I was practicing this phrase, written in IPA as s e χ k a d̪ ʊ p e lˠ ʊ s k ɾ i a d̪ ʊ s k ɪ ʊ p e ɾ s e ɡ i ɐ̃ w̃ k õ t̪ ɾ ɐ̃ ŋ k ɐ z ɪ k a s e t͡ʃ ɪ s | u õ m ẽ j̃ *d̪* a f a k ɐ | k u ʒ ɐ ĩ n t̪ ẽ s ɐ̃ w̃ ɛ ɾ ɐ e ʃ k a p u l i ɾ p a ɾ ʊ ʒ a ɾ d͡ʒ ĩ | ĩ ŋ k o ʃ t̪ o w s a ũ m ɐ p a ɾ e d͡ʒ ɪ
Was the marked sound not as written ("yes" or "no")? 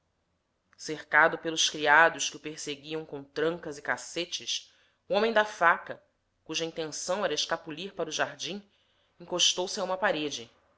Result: no